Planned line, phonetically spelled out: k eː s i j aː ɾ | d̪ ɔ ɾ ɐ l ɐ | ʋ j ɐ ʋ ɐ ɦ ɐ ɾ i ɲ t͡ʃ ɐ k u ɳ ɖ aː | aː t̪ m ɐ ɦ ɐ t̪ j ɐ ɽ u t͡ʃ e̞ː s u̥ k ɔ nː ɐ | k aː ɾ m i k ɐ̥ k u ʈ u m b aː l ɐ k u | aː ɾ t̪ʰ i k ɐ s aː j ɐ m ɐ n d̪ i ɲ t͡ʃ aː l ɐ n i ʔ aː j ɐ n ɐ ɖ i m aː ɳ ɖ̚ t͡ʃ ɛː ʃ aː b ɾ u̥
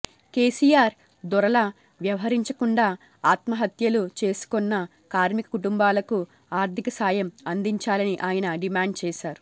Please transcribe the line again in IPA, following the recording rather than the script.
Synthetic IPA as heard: k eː s i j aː ɾ | d̪ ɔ ɾ ɐ l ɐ | ʋ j ɐ ʋ ɐ ɦ ɐ ɾ i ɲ t͡ʃ ɐ k u ɳ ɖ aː | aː t̪ m ɐ ɦ ɐ t̪ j ɐ l u t͡ʃ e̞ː s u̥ k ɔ nː ɐ | k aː ɾ m i k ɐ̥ k u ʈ u m b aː l ɐ k u | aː ɾ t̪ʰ i k ɐ s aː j ɐ m ɐ n d̪ i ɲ t͡ʃ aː l ɐ n i ʔ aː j ɐ n ɐ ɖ i m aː ɳ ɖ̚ t͡ʃ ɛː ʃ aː ɾ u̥